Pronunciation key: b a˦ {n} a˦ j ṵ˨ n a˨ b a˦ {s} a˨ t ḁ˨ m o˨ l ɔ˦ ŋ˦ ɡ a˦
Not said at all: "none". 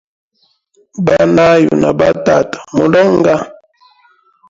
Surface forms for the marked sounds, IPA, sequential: n, t

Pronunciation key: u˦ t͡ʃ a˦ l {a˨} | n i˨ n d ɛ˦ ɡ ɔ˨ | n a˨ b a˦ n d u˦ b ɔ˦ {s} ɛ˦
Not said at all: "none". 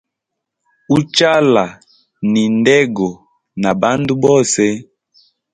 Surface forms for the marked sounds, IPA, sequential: a˨, s

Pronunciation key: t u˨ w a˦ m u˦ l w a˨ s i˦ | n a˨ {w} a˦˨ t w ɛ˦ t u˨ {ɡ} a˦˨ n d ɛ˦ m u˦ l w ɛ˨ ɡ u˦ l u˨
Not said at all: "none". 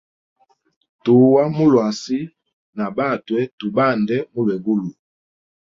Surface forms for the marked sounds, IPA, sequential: b, b

